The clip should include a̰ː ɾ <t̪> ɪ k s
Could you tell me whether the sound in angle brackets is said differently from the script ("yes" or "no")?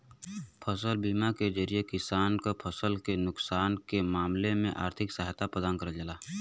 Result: yes